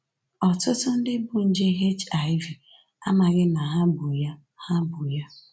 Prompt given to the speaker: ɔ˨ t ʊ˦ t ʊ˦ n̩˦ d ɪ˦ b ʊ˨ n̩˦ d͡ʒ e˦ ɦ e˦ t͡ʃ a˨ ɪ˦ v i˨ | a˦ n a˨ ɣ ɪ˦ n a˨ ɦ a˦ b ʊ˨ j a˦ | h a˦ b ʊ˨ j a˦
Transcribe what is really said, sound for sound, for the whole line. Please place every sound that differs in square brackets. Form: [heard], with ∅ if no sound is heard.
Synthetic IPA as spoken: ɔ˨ t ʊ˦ t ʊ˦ n̩˦ d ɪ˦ b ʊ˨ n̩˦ d͡ʒ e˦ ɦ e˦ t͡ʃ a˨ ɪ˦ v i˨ | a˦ [m] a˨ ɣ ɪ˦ n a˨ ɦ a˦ b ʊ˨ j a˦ | h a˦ b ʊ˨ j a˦